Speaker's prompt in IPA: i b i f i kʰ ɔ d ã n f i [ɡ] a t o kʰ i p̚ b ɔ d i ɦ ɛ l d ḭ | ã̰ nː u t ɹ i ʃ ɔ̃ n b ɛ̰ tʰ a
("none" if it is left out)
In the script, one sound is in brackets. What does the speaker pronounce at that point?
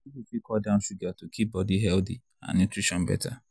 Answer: ɡ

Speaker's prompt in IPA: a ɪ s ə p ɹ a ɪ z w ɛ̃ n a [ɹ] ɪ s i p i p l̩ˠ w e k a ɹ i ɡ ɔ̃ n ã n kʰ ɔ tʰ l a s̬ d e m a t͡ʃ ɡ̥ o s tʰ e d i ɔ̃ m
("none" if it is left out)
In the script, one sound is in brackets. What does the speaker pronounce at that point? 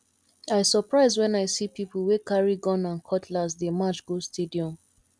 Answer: none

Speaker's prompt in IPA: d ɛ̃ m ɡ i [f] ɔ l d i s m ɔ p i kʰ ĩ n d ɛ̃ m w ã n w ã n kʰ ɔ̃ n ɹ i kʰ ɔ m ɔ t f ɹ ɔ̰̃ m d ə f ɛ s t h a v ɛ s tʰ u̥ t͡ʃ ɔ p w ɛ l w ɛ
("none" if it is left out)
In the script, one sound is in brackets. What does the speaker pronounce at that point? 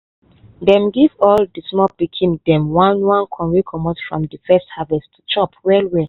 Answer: v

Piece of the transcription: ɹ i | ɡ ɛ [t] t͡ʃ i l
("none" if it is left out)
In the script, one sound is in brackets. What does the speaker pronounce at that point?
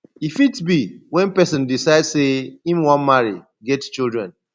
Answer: t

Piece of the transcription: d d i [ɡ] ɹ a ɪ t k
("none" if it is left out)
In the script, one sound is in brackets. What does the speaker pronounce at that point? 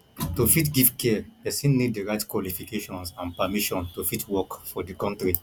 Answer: none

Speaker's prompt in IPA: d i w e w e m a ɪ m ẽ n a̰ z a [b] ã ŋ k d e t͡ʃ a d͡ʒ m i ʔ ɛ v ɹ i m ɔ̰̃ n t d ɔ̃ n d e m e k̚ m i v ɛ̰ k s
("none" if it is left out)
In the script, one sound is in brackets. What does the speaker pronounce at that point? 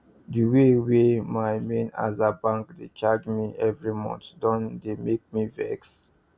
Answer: b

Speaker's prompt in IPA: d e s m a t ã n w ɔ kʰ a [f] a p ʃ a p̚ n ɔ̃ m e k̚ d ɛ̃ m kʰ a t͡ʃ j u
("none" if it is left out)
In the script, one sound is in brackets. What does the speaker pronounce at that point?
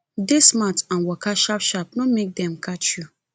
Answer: ʃ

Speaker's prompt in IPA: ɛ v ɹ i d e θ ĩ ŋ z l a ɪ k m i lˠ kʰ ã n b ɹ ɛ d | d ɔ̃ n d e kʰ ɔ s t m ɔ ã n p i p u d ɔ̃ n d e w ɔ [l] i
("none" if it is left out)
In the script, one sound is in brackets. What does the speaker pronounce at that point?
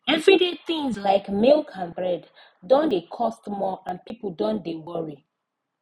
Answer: ɹ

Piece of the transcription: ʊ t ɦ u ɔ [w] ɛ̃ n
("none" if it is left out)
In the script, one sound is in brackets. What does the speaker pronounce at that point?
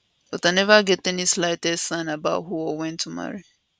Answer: w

